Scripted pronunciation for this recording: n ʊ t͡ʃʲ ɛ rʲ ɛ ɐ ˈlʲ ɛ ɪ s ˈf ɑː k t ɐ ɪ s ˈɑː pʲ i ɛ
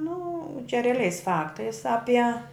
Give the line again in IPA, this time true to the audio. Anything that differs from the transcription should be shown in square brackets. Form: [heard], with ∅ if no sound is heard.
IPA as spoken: n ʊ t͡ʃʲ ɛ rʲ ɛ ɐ ˈlʲ ɛ ɪ s ˈf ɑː k t ɐ ɪ s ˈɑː pʲ i ɛ